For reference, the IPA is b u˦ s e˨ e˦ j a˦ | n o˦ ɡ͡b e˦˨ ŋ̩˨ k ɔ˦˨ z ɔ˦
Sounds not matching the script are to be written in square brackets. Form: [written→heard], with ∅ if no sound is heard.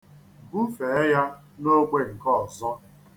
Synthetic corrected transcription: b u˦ [s→f] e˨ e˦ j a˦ | n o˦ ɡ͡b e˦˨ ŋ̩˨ k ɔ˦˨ z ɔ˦